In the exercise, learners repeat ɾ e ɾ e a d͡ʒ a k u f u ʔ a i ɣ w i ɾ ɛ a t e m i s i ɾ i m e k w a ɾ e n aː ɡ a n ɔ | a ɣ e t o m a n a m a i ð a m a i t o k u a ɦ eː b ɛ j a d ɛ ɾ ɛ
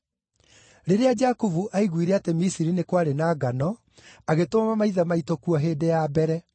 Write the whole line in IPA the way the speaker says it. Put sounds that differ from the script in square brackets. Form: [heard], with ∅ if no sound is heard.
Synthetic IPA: ɾ e ɾ e a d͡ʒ a k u [v] u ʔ a i ɣ w i ɾ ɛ a t e m i s i ɾ i [n] e k w a ɾ e n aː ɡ a n ɔ | a ɣ e t o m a [m] a m a i ð a m a i t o k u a ɦ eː [d] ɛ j a [b] ɛ ɾ ɛ